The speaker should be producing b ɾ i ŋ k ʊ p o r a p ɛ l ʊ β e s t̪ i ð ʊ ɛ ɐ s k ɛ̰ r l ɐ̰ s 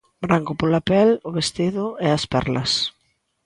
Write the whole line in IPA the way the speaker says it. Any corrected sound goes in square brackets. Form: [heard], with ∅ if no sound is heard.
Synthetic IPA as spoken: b ɾ [a] ŋ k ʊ p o [l] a p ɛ l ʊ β e s t̪ i ð ʊ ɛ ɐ s [p] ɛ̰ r l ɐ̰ s